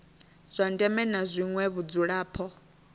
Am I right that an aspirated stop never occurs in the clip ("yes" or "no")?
no